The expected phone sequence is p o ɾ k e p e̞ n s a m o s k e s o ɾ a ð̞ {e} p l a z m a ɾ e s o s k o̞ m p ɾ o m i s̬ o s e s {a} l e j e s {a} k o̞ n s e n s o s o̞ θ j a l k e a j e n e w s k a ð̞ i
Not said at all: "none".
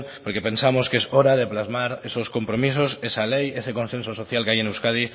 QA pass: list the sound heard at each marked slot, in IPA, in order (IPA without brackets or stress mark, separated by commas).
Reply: e, a, e